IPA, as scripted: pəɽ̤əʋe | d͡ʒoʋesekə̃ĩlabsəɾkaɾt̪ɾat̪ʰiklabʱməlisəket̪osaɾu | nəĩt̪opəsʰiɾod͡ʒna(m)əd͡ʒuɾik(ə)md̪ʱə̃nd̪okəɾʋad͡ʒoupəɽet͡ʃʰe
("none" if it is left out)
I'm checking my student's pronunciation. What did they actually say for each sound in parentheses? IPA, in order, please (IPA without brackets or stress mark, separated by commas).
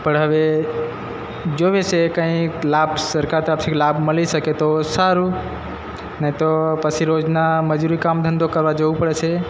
m, a